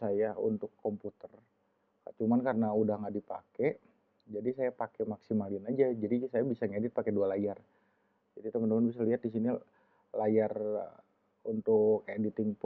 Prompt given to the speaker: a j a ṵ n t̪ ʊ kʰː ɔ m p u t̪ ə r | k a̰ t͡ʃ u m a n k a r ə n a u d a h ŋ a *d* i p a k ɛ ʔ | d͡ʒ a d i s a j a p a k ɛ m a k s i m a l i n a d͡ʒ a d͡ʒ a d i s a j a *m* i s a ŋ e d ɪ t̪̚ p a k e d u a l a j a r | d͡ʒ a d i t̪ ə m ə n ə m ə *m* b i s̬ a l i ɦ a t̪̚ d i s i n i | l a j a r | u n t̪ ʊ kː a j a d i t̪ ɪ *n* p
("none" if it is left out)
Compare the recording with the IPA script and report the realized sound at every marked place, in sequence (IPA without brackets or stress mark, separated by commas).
d, b, n, ŋ